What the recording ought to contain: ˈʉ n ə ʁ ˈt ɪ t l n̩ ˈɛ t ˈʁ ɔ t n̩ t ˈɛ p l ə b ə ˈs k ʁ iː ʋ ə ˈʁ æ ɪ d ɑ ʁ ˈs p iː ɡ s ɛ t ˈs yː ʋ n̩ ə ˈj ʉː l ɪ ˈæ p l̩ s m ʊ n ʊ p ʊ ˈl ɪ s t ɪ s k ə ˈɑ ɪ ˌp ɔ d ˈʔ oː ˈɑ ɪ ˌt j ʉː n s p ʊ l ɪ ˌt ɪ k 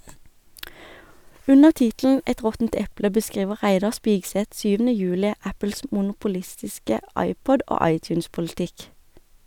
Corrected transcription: ˈʉ n ə ʁ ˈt ɪ t l n̩ ˈɛ t ˈʁ ɔ t n̩ t ˈɛ p l ə b ə ˈs k ʁ iː ʋ ə ˈʁ æ ɪ d ɑ ʁ ˈs p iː ɡ s ɛ t ˈs yː ʋ n̩ ə ˈj ʉː l ɪ ˈæ p l̩ s m ʊ n ʊ p ʊ ˈl ɪ s t ɪ s k ə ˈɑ ɪ ˌp ɔ d ˈʔ oː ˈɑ ɪ ˌt j ʉː n s p ʊ l ɪ ˌt ɪ k